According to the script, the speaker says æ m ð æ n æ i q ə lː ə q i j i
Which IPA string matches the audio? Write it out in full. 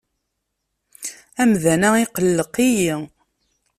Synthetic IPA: æ m ð æ n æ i q ə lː ə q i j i